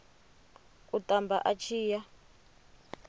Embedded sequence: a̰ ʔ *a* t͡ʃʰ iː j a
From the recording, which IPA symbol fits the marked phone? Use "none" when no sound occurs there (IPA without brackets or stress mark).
a